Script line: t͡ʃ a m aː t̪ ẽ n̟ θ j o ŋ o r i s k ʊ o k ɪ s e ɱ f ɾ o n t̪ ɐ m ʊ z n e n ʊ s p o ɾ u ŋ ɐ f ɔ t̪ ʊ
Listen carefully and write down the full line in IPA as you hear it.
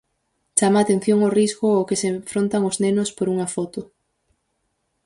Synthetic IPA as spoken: t͡ʃ a m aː t̪ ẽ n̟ θ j o ŋ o r i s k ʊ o k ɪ s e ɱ f ɾ o n t̪ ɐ ŋ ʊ z n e n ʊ s p o ɾ u ŋ ɐ f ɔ t̪ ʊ

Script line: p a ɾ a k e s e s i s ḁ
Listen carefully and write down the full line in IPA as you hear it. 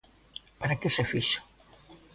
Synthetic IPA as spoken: p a ɾ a k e s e f i ʃ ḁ

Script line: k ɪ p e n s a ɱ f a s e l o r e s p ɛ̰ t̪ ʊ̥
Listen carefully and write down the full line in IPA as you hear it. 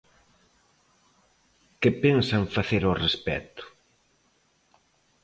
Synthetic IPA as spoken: k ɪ p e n s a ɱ f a θ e ɾ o r e s p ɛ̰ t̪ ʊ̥

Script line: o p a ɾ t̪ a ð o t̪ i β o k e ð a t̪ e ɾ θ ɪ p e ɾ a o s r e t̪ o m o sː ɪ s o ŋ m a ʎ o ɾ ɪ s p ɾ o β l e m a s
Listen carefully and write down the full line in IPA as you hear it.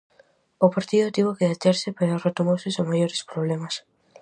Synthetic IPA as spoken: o p a ɾ t̪ i ð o t̪ i β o k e ð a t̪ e ɾ s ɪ p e ɾ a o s r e t̪ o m o s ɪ s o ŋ m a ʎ o ɾ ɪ s p ɾ o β l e m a s

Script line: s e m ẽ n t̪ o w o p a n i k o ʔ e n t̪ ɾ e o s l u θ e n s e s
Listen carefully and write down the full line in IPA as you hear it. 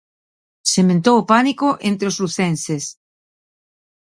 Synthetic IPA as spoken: s e m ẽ n t̪ o w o p a n i k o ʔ e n t̪ ɾ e o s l u θ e n s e s

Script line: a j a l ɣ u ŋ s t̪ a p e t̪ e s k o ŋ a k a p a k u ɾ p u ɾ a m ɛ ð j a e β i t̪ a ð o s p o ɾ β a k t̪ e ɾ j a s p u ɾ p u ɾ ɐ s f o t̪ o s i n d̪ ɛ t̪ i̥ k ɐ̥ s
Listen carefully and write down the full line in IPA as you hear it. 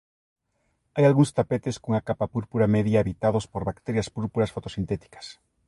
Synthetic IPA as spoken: a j a l ɣ u ŋ s t̪ a p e t̪ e s k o ŋ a k a p a p u ɾ p u ɾ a m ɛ ð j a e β i t̪ a ð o s p o ɾ β a k t̪ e ɾ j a s p u ɾ p u ɾ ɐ s f o t̪ o s i n t̪ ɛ t̪ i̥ k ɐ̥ s

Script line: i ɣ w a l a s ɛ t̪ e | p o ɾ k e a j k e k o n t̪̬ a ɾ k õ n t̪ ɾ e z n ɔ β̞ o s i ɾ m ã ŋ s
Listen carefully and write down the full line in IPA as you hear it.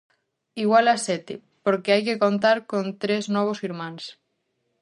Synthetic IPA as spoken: i ɣ w a l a s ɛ t̪ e | p o ɾ k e a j k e k o n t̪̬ a ɾ k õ n t̪ ɾ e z n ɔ β̞ o s i ɾ m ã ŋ s

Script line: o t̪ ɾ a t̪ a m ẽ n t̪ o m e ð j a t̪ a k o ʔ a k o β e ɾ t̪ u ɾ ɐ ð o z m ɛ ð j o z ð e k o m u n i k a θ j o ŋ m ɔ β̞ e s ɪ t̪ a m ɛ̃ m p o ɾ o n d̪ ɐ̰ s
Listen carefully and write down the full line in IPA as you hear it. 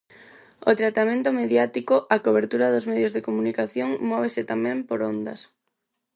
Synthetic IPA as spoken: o t̪ ɾ a t̪ a m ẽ n t̪ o m e ð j a t̪ i k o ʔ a k o β e ɾ t̪ u ɾ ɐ ð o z m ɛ ð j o z ð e k o m u n i k a θ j o ŋ m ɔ β̞ e s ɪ t̪ a m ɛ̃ m p o ɾ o n d̪ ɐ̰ s

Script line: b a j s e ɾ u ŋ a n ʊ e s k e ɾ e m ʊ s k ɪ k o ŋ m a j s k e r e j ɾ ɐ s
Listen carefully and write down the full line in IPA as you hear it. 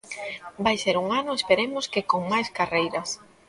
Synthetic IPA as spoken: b a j s e ɾ u ŋ a n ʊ e s p e ɾ e m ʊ s k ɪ k o ŋ m a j s k a r e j ɾ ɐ s

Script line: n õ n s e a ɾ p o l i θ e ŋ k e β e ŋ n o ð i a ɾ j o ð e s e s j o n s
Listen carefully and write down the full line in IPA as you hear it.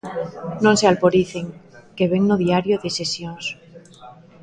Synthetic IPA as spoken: n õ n s e a l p o ɾ i θ e ŋ k e β e ŋ n o ð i a ɾ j o ð e s e s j o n s

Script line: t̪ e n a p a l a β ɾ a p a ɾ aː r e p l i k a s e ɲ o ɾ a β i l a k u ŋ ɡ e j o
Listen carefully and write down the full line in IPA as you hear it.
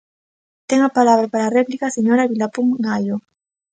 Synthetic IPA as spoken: t̪ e ŋ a p a l a β ɾ a p a ɾ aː r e p l i k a s e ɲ o ɾ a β i l a p u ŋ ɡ a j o

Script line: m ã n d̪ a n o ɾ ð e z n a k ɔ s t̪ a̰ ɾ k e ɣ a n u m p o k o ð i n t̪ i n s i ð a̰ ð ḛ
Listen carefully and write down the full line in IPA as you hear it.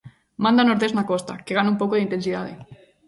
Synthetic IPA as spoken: m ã n d̪ a n o ɾ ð e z n a k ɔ s t̪ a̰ k e ɣ a n u m p o k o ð i n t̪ e n s i ð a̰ ð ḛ

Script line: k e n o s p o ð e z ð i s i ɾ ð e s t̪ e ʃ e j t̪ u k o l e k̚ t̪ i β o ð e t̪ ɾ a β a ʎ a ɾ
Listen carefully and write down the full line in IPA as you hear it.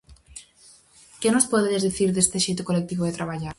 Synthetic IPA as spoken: k e n o s p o ð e z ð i θ i ɾ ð e s t̪ e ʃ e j t̪ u k o l e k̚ t̪ i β o ð e t̪ ɾ a β a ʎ a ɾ

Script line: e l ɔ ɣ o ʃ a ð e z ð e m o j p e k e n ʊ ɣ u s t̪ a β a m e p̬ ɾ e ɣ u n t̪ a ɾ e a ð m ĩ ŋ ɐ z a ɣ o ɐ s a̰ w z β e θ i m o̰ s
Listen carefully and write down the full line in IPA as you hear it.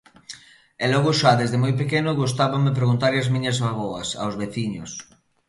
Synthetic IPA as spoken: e l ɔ ɣ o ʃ a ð e z ð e m o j p e k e n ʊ ɣ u s t̪ a β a m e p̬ ɾ e ɣ u n t̪ a ɾ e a z m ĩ ɲ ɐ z a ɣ o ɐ s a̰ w z β e θ i ɲ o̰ s

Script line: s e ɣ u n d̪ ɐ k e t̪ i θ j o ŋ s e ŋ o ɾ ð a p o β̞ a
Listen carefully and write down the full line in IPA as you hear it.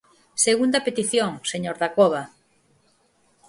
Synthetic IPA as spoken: s e ɣ u n d̪ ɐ p e t̪ i θ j o ŋ s e ɲ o ɾ ð a k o β̞ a

